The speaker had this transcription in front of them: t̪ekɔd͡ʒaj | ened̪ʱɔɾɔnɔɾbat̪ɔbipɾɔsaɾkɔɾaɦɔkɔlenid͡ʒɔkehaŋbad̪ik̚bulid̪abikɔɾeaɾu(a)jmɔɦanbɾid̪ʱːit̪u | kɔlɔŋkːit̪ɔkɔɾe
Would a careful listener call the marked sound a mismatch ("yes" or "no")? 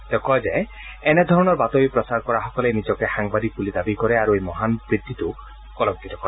yes